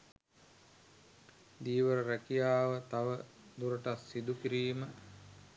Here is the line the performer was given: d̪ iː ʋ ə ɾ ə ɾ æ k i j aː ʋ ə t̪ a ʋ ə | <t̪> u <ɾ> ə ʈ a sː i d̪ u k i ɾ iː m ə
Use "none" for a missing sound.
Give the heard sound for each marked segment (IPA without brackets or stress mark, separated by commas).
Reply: d̪, ɾ